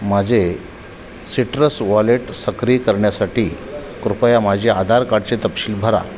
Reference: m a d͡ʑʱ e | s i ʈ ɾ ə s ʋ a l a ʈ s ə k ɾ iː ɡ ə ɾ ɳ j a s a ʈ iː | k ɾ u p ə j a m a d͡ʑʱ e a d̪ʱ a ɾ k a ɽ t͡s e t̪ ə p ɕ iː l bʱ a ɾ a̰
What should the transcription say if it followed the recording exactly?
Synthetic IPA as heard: m a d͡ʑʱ e | s i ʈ ɾ ə s ʋ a l e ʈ s ə k ɾ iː k ə ɾ ɳ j a s a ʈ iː | k ɾ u p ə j a m a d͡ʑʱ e a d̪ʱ a ɾ k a ɽ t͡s e t̪ ə p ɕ iː l bʱ ə ɾ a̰

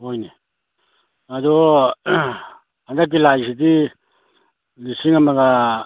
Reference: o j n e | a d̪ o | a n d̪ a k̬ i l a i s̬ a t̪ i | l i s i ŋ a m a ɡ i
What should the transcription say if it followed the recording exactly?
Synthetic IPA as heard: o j n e | a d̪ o | a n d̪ a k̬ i l a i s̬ i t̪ i | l i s i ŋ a m a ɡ a

